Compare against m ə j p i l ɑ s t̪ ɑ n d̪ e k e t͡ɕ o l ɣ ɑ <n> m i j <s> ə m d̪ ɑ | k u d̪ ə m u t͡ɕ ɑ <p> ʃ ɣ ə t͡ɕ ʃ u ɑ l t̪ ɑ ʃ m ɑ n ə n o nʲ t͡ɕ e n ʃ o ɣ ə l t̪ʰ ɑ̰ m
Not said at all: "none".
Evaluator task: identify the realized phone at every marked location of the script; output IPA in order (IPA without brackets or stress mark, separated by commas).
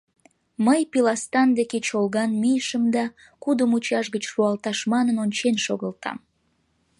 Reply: n, ʃ, none